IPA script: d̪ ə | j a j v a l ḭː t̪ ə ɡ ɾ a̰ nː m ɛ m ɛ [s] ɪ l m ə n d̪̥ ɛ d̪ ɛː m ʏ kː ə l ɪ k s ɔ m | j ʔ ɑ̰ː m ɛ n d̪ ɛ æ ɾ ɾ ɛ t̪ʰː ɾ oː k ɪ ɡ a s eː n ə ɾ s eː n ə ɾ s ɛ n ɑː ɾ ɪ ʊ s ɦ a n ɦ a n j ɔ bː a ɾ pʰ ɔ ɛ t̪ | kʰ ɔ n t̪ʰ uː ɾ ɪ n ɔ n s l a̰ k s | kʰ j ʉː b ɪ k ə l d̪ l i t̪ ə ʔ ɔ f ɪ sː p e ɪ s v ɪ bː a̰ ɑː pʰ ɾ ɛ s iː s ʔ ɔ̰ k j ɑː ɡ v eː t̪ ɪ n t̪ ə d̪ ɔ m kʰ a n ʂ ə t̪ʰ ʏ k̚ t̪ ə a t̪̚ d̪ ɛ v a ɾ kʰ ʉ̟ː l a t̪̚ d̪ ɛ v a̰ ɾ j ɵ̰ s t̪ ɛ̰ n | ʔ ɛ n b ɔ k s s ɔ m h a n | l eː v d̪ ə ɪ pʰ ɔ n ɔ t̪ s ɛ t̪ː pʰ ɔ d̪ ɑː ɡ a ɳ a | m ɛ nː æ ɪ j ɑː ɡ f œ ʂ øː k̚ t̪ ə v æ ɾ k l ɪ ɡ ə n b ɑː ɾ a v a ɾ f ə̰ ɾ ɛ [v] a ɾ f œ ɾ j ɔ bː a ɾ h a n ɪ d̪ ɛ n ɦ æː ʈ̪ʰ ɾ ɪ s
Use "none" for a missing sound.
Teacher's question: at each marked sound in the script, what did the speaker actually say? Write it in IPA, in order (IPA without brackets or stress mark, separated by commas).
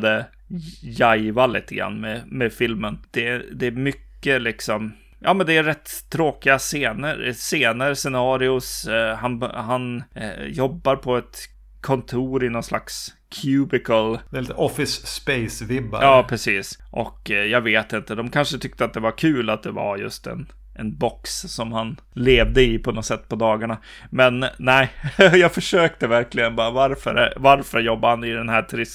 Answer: f, v